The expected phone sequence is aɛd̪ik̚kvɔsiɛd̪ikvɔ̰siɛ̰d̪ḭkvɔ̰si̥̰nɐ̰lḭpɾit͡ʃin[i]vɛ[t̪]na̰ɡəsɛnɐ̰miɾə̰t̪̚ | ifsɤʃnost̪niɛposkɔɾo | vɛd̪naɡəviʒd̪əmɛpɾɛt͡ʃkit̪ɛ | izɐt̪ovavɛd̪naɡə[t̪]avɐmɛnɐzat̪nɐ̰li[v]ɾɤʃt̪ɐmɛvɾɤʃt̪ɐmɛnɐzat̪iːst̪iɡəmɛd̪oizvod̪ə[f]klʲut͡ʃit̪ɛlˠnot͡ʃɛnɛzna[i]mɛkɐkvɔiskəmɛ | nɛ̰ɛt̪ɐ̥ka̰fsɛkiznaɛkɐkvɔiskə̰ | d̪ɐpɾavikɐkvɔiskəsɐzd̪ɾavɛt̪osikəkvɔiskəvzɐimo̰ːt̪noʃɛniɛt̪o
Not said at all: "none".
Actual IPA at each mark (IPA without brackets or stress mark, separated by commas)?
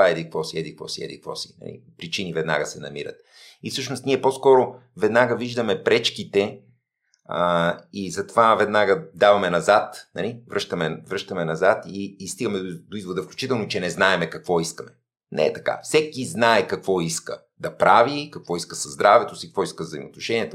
i, d̪, d̪, v, f, ɛ